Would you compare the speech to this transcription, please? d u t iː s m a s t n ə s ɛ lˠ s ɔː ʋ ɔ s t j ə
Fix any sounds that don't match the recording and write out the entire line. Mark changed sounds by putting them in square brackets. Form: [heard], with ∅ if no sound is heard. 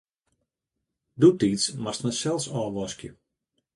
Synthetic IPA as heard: d u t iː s m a s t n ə s ɛ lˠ s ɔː ʋ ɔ s [k] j ə

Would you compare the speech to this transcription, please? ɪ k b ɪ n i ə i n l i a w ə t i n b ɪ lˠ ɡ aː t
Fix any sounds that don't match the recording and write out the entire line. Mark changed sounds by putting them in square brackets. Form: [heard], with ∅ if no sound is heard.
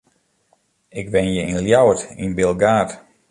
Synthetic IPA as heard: ɪ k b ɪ n [j] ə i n l [j] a w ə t i n b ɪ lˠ ɡ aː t

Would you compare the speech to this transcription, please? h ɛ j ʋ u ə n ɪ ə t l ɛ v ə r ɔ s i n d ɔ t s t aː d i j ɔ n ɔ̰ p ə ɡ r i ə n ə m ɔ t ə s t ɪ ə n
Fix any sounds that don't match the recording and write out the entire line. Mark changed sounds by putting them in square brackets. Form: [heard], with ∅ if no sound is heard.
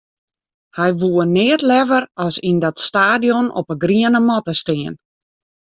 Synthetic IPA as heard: h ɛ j ʋ u ə n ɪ ə t l ɛ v ə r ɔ s i n d ɔ t s t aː d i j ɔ n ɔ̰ p ə ɡ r i ə n ə m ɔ t ə s t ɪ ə n

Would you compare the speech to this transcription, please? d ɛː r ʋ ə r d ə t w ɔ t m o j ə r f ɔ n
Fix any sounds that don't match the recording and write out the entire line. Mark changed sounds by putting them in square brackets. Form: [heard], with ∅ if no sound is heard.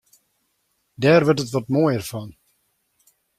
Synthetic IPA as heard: d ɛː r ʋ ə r [t] ə t [ʋ] ɔ t m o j ə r f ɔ n

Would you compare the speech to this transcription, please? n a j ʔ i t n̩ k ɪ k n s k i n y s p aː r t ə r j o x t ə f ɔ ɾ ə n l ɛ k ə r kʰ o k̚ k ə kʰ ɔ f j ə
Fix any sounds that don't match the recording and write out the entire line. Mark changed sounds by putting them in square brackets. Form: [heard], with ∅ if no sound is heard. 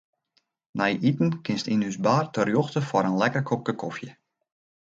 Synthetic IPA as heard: n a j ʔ i t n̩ k ɪ [∅] n s [t] i n y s [b] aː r t ə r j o x t ə f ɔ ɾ ə n l ɛ k ə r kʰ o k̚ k ə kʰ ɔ f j ə

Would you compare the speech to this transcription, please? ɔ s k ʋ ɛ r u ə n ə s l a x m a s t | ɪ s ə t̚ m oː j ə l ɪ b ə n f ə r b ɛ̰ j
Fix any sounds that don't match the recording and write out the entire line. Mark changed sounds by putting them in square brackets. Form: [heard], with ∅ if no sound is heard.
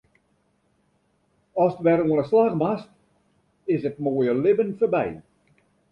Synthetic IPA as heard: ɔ s [t] ʋ ɛ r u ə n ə s l a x m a s t | ɪ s ə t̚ m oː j ə l ɪ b ə n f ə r b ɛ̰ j

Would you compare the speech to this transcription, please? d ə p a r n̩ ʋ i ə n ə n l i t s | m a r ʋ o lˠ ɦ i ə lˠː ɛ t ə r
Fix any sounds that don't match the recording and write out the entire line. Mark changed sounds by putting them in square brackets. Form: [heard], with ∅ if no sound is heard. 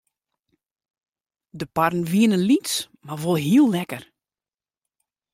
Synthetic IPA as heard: d ə p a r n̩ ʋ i ə n ə n l i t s | m a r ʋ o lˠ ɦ i ə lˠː ɛ [k] ə r

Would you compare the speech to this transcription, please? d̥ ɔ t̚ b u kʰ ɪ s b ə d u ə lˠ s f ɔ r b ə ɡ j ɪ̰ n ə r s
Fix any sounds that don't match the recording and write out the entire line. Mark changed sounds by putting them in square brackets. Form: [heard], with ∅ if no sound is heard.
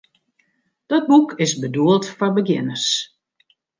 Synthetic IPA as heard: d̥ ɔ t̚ b u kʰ ɪ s b ə d u ə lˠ [t] f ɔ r b ə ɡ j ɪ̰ n ə r s

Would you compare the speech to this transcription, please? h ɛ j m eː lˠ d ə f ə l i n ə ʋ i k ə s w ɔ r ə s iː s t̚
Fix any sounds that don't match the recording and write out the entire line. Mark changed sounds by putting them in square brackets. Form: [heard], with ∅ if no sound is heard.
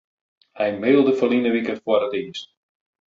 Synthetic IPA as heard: h ɛ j m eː lˠ d ə f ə l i n ə ʋ i k ə [f] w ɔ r ə [t] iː s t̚

